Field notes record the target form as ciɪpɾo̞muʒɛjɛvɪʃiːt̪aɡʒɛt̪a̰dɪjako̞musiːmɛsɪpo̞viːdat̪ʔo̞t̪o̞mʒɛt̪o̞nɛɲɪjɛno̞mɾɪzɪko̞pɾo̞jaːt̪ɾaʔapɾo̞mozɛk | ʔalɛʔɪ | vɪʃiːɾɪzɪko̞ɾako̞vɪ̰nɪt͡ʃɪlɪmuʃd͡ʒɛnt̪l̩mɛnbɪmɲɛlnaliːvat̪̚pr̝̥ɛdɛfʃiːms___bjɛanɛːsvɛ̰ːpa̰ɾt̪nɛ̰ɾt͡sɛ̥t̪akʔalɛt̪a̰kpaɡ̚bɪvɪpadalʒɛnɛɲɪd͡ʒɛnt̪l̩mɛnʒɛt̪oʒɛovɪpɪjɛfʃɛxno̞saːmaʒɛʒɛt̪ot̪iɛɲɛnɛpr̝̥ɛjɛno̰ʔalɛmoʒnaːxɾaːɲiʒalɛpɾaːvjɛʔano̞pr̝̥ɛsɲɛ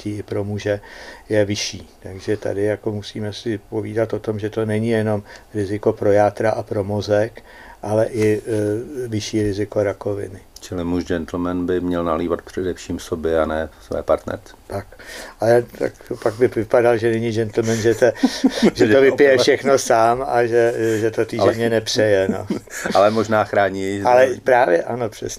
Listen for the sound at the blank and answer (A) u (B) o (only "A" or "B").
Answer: B